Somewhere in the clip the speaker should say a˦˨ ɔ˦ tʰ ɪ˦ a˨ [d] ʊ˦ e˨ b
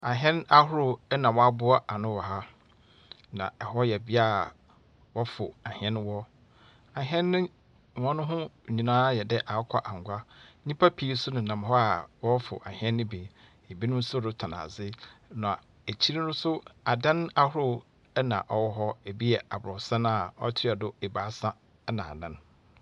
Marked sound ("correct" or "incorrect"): correct